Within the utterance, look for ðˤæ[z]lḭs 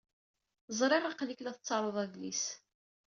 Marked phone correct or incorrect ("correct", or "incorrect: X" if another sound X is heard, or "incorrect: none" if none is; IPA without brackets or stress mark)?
incorrect: ð